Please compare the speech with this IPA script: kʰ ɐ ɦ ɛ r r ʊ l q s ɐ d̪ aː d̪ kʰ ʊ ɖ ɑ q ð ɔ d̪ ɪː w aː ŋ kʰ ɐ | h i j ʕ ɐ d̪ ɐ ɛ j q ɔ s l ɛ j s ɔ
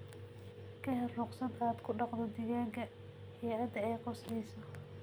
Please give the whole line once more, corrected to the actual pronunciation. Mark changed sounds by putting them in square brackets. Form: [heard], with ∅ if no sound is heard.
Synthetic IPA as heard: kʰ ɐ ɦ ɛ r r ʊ [∅] q s ɐ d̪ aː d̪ kʰ ʊ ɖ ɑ q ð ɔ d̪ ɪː [ɣ] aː ŋ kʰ ɐ | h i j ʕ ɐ d̪ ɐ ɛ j q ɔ s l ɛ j s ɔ